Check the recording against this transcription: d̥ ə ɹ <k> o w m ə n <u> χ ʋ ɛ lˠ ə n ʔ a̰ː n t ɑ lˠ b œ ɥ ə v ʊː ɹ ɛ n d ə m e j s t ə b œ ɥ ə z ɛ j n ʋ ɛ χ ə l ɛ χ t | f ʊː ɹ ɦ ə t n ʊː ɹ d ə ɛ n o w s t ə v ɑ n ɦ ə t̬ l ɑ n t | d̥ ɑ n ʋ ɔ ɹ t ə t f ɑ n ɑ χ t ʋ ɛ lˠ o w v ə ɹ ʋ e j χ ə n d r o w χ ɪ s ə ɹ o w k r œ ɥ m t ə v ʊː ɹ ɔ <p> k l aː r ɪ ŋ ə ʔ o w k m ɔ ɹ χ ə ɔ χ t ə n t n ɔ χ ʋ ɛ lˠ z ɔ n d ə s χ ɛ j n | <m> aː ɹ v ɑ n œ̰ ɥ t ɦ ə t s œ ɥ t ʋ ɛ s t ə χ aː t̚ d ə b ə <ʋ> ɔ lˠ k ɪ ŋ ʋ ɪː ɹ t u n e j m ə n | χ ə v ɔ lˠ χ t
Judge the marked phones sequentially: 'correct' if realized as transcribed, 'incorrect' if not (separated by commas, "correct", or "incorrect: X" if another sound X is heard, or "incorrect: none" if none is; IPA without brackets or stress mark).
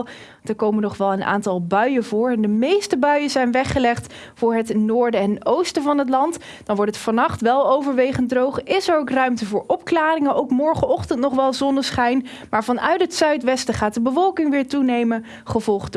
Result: correct, incorrect: ɔ, correct, correct, incorrect: v